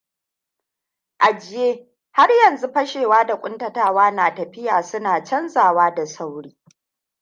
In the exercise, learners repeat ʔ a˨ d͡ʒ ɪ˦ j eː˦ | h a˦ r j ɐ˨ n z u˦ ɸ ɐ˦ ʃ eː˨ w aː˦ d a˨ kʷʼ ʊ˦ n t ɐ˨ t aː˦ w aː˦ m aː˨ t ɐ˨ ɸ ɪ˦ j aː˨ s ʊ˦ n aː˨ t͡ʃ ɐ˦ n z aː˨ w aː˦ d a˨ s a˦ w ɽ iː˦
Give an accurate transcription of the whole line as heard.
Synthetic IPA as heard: ʔ a˨ d͡ʒ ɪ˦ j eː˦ | h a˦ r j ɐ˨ n z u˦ ɸ ɐ˦ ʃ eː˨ w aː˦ d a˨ kʷʼ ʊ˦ n t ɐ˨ t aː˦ w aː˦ n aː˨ t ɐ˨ ɸ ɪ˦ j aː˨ s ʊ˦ n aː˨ t͡ʃ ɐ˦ n z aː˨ w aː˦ d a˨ s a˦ w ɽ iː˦

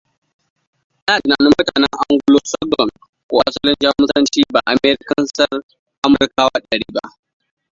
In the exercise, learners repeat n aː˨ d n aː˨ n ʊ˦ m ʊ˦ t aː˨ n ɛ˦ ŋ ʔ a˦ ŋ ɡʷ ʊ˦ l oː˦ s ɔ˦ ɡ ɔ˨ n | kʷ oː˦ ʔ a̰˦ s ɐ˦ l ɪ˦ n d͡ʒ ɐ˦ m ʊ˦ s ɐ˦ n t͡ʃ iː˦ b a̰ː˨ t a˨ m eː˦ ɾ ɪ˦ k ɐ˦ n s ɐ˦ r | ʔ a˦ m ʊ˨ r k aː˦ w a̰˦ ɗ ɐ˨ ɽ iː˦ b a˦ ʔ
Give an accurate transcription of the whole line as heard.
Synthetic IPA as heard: n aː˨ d n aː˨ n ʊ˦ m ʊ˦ t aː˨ n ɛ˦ ŋ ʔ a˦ ŋ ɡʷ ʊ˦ l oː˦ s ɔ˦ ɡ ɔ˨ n | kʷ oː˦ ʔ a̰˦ s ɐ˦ l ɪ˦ n d͡ʒ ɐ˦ m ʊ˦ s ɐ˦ n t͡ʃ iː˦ b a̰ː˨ ʔ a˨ m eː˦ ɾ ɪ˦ k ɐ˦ n s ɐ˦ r | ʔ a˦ m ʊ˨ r k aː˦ w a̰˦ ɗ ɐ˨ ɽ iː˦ b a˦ ʔ

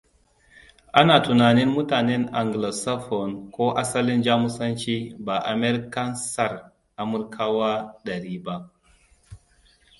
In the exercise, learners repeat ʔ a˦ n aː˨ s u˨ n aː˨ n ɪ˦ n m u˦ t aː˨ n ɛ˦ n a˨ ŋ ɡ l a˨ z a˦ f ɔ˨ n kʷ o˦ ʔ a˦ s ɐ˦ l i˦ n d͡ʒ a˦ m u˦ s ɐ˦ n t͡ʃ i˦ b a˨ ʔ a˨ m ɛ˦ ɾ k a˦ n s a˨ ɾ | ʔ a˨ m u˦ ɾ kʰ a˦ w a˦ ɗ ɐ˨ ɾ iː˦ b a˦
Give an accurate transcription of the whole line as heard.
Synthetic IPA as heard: ʔ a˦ n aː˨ t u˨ n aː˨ n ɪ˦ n m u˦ t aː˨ n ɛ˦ n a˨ ŋ ɡ l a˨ s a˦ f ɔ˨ n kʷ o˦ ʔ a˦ s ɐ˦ l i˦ n d͡ʒ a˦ m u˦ s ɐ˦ n t͡ʃ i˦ b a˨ ʔ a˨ m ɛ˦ ɾ k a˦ n s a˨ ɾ | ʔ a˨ m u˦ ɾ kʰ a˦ w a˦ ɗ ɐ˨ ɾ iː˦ b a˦

